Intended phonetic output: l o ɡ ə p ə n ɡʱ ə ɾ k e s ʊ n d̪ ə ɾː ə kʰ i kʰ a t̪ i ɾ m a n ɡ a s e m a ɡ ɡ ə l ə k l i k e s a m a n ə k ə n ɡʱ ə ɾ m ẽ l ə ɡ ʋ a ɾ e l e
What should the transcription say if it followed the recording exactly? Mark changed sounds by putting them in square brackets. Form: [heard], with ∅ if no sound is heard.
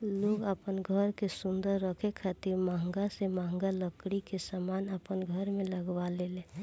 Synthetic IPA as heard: l o ɡ ə p ə n ɡʱ ə ɾ k e s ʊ n d̪ ə ɾː ə kʰ [e] kʰ a t̪ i ɾ m a [ŋ] ɡ a s e m a [ŋ] ɡ [a] l ə k [ɽ] i k e s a m a n ə [p] ə n ɡʱ ə ɾ m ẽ l ə ɡ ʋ a [l] e l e